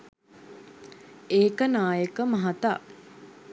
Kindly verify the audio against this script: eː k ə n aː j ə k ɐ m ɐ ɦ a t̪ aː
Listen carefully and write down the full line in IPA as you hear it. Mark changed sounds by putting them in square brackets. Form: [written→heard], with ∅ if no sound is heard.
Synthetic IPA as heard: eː k ə n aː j ə k [ɐ→ə] m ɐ ɦ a t̪ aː